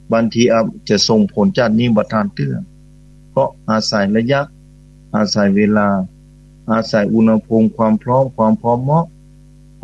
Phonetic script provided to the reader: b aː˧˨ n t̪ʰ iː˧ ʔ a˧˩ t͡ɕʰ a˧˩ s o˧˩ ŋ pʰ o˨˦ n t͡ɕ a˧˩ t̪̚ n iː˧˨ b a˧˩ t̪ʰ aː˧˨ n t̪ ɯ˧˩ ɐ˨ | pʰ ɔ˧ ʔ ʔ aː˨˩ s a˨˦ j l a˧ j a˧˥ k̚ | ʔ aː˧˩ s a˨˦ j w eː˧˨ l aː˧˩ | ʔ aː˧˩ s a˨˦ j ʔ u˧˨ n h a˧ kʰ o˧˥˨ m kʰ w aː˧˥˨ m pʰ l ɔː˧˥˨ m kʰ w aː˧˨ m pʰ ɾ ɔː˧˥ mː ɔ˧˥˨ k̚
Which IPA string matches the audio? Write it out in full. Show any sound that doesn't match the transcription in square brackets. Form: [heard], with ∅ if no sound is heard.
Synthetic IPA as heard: b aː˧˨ n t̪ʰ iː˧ ʔ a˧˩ [t͡ɕ] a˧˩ s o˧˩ ŋ pʰ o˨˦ n t͡ɕ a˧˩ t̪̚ n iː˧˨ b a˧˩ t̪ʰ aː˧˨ n t̪ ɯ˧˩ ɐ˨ | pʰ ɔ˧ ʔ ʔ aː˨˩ s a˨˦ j l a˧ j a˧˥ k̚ | ʔ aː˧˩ s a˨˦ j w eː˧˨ l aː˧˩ | ʔ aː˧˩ s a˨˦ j ʔ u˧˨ n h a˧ [pʰ] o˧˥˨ m kʰ w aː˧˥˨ m pʰ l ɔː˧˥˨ m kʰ w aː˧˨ m pʰ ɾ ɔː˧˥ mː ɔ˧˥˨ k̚

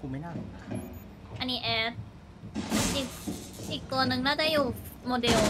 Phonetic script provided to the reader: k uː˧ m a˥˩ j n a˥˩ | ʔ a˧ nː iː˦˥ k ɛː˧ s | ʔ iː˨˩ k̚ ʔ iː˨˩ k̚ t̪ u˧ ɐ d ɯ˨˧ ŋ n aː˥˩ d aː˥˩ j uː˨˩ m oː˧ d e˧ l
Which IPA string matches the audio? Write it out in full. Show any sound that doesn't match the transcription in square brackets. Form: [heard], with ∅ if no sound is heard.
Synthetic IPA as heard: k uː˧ m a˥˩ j n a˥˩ | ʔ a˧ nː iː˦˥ [ʔ] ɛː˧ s | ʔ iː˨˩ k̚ ʔ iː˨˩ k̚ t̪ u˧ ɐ [n] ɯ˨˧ ŋ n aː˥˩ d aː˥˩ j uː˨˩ m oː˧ d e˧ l

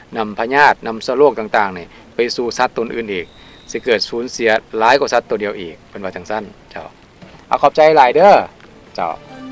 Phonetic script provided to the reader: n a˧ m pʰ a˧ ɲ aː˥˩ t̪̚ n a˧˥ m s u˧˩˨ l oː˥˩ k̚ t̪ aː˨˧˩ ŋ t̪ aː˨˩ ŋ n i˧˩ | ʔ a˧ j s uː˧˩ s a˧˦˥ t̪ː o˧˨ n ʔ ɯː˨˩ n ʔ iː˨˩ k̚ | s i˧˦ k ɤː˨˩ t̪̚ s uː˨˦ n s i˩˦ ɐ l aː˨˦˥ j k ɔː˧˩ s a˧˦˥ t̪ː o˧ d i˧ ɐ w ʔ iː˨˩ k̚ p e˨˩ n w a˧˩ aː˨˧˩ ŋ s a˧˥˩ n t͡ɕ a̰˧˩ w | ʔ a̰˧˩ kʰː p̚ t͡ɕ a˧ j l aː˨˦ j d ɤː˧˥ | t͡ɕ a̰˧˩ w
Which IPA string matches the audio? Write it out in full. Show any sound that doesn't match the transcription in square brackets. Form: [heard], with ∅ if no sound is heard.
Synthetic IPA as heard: n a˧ m pʰ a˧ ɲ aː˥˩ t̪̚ n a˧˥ m s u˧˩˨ l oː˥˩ k̚ t̪ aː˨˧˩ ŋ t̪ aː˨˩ ŋ n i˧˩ | [p] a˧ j s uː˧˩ s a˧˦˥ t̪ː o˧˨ n ʔ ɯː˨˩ n ʔ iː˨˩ k̚ | s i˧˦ k ɤː˨˩ t̪̚ s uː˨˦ n s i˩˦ ɐ l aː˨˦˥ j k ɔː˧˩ s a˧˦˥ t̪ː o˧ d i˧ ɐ w ʔ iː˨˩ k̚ p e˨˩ n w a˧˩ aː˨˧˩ ŋ s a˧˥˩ n t͡ɕ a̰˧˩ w | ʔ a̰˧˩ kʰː p̚ t͡ɕ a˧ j l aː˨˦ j d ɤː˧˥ | t͡ɕ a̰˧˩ w

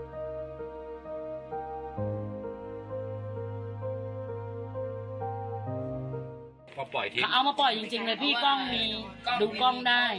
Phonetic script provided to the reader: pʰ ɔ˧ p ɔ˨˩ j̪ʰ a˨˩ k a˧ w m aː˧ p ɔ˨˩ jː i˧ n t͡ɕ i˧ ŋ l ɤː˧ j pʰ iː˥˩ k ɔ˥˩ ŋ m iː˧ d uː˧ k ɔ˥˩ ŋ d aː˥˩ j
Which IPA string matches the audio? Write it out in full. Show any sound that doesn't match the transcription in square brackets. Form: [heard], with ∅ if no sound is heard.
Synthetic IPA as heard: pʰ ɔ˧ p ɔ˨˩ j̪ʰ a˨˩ [ʔ] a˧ w m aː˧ p ɔ˨˩ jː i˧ [ŋ] t͡ɕ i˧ ŋ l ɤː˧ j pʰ iː˥˩ k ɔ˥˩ ŋ m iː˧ d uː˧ k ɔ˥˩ ŋ d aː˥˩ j

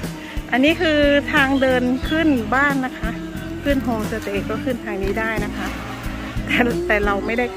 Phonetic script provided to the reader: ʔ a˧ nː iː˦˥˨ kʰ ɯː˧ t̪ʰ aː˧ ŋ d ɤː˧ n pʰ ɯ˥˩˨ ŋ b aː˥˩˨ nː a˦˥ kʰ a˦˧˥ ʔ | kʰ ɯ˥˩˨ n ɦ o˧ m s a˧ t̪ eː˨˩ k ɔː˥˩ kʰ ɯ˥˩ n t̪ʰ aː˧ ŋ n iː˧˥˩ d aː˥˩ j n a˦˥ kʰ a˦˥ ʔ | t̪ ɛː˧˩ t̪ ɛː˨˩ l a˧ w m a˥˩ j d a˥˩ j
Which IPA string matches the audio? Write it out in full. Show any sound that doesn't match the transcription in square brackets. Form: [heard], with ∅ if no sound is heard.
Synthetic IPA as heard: ʔ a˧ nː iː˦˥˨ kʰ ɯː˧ t̪ʰ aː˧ ŋ d ɤː˧ n [kʰ] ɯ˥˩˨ [n] b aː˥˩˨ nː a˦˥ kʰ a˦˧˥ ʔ | kʰ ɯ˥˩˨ n ɦ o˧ m s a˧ t̪ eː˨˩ k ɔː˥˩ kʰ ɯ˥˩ n t̪ʰ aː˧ ŋ n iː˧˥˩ d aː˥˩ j n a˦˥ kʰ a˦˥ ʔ | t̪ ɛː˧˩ t̪ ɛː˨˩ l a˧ w m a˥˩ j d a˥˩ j

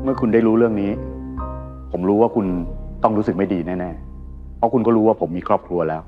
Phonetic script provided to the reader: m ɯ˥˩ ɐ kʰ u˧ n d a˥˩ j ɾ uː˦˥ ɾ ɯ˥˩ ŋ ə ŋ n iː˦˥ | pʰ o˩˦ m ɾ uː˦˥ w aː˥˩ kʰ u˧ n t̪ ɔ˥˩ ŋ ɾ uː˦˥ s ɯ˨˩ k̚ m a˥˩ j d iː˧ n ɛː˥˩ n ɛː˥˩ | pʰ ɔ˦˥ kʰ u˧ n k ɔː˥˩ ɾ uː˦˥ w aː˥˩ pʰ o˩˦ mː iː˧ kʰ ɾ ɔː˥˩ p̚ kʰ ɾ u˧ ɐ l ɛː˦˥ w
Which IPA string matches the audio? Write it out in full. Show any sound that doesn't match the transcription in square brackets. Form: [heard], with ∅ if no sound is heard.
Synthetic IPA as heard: m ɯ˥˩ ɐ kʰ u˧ n d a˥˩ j ɾ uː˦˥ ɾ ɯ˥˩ [∅] ə ŋ n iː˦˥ | pʰ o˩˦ m ɾ uː˦˥ w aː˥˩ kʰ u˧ n t̪ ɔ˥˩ ŋ ɾ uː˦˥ s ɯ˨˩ k̚ m a˥˩ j d iː˧ n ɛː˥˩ n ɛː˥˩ | pʰ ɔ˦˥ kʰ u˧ n k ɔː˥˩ ɾ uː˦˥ w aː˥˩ pʰ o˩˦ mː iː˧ kʰ ɾ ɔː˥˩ p̚ kʰ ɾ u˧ ɐ l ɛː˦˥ w

